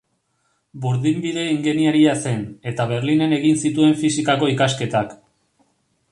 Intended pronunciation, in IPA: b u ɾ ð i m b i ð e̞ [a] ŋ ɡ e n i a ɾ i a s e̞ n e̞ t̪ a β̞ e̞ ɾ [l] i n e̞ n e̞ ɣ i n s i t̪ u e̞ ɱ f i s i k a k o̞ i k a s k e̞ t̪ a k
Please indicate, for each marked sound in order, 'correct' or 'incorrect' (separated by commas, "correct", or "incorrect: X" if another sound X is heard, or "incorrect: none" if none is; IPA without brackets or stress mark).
incorrect: i, correct